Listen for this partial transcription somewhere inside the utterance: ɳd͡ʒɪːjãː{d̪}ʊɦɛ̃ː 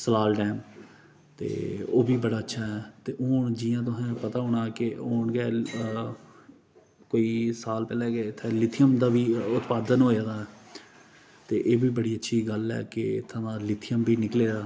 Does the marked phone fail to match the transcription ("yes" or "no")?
yes